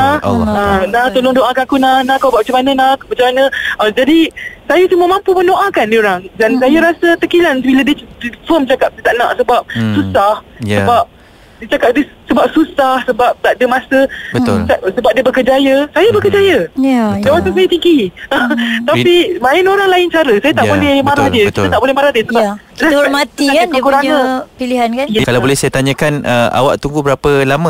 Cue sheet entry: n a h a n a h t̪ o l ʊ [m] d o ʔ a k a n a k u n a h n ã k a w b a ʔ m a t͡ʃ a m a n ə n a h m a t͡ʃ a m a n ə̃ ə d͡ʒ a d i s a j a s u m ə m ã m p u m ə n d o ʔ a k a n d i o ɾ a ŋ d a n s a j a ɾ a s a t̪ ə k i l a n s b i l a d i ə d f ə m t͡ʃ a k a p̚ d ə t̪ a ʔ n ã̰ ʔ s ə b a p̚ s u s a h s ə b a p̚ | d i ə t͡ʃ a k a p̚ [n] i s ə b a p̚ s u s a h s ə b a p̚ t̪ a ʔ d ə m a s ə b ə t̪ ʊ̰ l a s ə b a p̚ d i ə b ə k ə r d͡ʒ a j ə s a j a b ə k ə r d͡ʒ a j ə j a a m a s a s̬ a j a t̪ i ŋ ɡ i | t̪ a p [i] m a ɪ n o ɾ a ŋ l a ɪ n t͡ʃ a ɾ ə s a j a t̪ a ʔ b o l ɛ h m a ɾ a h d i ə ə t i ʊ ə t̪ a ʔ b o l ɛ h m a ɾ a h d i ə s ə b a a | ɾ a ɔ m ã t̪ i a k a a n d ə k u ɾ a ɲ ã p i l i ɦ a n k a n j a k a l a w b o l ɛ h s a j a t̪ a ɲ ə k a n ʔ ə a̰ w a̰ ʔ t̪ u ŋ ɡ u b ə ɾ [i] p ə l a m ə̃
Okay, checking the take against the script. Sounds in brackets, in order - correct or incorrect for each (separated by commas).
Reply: incorrect, incorrect, correct, incorrect